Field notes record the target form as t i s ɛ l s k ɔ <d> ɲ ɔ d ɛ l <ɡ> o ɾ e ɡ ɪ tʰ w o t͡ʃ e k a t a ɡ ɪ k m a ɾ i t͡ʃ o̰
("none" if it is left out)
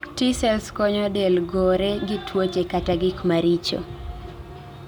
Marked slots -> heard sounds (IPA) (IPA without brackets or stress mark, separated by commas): none, ɡ